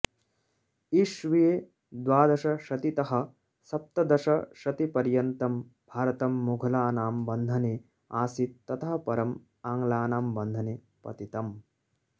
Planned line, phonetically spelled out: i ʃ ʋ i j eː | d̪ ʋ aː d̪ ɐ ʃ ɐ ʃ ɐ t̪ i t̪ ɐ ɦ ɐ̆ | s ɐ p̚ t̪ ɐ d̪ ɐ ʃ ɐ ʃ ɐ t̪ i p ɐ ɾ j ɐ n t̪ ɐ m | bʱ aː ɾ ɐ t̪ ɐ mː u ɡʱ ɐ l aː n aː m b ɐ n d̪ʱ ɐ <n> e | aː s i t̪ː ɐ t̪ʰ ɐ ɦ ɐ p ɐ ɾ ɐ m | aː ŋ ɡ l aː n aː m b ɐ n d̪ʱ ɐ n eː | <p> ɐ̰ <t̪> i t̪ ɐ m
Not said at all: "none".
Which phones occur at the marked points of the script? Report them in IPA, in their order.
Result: n, p, t̪

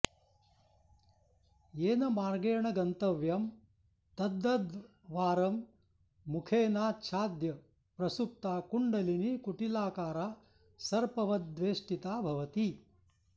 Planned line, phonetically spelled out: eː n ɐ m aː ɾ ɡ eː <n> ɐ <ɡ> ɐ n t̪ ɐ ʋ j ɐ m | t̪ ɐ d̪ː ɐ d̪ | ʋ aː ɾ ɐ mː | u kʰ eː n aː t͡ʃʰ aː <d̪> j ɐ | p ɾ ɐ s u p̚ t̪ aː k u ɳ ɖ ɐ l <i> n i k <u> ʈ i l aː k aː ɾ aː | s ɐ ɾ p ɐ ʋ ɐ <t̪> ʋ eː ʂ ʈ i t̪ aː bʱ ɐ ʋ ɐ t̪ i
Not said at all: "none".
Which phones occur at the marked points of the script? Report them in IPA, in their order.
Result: ɳ, ɡ, d̪, i, u, d̪

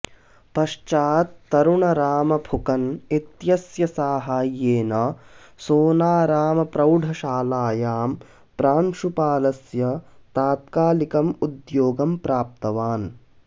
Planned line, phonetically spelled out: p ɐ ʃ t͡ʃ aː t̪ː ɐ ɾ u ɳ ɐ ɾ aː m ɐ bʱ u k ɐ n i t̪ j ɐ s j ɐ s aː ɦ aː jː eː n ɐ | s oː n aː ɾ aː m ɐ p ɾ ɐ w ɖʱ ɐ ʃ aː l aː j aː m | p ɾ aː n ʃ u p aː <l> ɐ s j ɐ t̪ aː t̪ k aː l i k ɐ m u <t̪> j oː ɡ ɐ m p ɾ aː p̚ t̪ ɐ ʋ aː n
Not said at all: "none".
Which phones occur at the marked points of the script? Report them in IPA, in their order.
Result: l, d̪

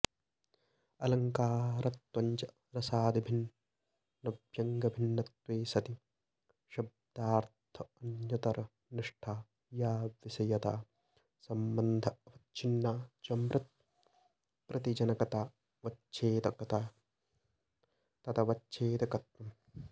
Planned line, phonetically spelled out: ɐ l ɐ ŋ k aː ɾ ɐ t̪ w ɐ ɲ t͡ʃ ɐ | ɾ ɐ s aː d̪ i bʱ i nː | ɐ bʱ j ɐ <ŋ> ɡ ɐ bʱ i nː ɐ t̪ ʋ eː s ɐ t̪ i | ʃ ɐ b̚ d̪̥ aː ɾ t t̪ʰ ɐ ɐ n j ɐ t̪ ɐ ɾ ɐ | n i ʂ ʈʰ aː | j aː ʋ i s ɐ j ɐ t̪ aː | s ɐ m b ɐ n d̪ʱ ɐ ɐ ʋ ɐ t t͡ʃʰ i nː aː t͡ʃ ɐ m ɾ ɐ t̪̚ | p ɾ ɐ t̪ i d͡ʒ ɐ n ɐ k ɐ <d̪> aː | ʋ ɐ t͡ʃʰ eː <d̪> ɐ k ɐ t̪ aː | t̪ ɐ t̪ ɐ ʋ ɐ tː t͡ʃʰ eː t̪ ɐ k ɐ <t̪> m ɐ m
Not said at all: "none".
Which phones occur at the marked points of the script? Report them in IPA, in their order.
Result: ŋ, t̪, t̪, t̪

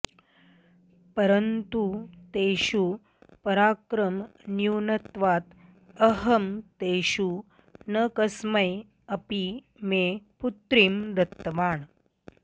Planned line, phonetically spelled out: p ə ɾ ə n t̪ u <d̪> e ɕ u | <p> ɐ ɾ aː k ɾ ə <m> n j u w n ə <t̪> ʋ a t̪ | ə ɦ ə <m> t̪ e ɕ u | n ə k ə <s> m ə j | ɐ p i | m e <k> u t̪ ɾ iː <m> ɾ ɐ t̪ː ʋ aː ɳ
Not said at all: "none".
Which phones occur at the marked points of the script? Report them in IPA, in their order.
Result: t̪, p, m, t̪, m, s, p, m

